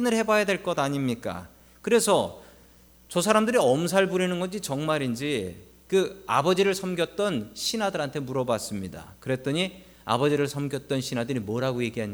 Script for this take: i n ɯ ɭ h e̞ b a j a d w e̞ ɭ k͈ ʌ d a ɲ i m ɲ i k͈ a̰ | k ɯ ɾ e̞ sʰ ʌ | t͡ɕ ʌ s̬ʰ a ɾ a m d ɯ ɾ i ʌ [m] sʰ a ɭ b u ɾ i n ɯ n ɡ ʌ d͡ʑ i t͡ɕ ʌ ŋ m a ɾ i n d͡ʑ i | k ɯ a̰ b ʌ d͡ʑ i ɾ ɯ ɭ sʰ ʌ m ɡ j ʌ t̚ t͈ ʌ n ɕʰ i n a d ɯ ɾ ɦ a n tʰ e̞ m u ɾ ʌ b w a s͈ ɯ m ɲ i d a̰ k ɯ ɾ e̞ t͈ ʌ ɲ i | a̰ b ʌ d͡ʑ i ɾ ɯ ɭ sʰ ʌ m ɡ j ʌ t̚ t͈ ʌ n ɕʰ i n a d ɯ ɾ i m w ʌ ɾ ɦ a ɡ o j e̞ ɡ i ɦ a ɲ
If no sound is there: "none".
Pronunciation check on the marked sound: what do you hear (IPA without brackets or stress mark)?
m